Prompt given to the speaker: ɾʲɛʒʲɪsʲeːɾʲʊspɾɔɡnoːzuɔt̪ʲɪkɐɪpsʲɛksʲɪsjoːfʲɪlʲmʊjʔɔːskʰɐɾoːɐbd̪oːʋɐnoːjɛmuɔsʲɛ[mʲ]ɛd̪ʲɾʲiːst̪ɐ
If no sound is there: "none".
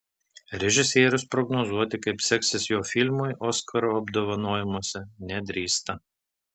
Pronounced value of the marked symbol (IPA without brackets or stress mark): nʲ